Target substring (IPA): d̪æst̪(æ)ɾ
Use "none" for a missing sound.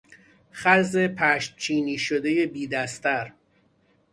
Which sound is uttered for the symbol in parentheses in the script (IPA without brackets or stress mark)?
æ